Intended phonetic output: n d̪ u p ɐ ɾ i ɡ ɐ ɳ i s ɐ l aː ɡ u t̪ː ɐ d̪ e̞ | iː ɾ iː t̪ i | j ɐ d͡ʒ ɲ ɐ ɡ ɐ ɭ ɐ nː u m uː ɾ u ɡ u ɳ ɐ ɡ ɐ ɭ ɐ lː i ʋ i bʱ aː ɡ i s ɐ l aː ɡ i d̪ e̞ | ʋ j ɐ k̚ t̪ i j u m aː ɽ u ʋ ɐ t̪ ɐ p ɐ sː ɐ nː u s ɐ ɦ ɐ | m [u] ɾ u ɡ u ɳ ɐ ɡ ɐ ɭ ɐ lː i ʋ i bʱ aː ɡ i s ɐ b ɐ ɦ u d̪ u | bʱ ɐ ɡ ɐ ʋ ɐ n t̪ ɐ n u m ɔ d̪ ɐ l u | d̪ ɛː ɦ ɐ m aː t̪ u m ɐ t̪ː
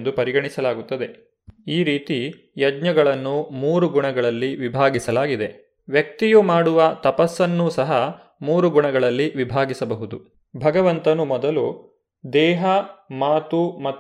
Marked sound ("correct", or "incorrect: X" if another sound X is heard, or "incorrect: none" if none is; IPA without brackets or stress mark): incorrect: uː